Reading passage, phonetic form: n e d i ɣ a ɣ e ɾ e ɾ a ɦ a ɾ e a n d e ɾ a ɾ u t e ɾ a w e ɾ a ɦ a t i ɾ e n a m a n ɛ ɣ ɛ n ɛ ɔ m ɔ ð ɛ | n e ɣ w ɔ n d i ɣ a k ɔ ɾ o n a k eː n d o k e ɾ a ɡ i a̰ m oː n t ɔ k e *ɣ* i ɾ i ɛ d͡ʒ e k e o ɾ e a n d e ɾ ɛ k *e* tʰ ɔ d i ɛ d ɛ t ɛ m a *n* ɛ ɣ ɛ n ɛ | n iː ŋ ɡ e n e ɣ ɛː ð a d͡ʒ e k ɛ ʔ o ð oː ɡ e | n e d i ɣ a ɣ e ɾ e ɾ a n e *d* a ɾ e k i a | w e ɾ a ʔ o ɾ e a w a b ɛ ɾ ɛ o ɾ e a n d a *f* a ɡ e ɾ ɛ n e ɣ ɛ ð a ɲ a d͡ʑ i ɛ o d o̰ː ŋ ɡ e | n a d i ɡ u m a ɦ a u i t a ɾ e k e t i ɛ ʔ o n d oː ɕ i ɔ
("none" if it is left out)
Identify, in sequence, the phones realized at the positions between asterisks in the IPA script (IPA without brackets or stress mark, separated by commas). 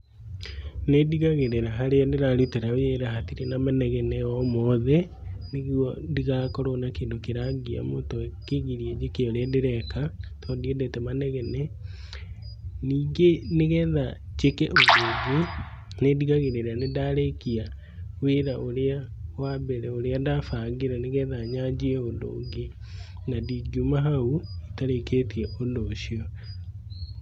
ɣ, a, n, d, f